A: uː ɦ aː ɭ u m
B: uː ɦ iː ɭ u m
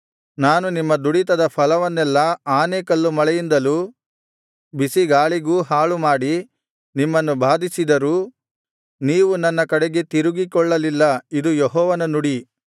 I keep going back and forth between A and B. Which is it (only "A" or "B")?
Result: A